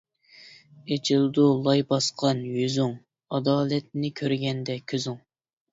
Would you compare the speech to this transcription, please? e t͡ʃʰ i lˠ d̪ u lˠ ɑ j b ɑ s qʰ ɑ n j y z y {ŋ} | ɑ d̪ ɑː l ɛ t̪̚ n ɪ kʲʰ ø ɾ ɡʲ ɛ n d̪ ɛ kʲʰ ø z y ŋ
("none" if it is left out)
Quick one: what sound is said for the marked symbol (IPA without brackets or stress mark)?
ŋ